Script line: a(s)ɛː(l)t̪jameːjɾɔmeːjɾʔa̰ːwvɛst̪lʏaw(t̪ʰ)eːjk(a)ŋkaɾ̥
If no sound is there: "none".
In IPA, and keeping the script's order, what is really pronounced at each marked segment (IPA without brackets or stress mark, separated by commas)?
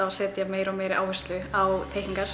s, none, t̪ʰ, i